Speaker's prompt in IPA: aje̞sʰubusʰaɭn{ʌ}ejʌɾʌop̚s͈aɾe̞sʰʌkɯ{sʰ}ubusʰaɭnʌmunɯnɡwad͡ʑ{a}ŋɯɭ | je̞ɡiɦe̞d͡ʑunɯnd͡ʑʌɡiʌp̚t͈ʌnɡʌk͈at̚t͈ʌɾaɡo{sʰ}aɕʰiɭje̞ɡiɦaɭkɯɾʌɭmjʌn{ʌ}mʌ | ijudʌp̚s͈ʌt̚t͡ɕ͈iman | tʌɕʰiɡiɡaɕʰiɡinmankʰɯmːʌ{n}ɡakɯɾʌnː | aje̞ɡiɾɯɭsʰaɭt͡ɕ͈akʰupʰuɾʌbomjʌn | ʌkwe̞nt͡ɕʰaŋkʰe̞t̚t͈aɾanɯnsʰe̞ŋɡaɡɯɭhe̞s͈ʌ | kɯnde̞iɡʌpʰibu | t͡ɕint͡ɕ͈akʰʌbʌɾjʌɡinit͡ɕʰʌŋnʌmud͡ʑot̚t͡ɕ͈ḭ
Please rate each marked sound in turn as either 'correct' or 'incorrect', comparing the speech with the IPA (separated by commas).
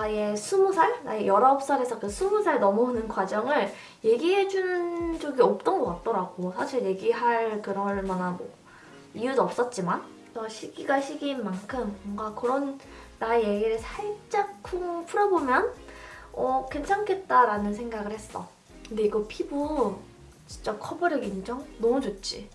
incorrect, correct, incorrect, correct, incorrect, incorrect